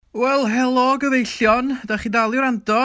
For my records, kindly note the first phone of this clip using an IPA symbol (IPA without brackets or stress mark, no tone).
w